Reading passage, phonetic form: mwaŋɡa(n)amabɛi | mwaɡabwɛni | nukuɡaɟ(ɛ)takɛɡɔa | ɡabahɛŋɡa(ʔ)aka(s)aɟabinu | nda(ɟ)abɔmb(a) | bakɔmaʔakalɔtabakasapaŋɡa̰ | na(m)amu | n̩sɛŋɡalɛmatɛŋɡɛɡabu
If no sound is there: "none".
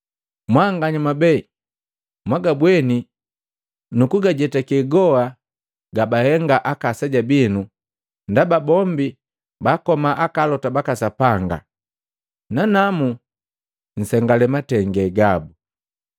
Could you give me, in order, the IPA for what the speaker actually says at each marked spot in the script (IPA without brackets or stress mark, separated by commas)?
ɲ, ɛ, ʔ, s, b, i, n